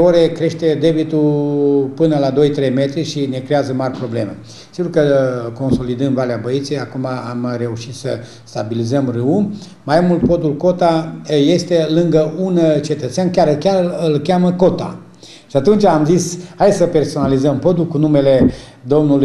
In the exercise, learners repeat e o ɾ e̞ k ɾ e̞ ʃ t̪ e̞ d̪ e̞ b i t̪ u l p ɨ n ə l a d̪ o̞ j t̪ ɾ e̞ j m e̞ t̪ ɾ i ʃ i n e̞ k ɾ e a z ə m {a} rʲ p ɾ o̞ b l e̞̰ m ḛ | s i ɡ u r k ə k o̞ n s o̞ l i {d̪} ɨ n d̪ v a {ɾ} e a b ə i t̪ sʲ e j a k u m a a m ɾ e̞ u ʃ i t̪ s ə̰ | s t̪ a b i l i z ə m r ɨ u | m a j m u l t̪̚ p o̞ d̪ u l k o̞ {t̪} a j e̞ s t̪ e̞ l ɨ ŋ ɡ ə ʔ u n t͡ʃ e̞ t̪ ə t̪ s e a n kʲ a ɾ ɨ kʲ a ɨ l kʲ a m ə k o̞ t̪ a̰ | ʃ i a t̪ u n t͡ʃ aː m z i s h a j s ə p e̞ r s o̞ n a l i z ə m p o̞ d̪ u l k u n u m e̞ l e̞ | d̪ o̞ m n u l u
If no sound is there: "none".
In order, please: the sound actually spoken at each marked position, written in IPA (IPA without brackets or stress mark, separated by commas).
a, d̪, l, t̪